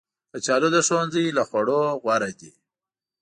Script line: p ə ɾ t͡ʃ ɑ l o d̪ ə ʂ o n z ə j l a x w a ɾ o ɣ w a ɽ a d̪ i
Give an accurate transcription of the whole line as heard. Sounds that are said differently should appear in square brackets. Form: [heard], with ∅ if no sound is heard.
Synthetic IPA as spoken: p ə [∅] t͡ʃ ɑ l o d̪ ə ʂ o n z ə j l a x w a [ɽ] o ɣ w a [ɾ] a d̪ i